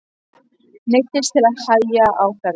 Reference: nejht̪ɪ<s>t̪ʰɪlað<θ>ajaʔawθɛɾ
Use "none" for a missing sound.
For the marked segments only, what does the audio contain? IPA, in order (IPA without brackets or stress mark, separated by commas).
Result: s, h